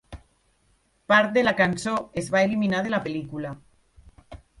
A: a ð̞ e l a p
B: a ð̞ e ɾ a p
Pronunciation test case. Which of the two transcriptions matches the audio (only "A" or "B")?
A